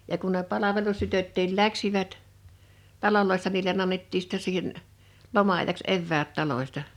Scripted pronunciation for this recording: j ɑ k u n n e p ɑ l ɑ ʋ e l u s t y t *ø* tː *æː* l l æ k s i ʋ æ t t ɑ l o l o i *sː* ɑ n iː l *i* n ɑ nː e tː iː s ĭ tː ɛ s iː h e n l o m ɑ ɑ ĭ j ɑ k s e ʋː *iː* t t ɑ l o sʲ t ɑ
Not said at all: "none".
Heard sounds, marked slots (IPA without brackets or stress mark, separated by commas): ø, iː, sː, e, æː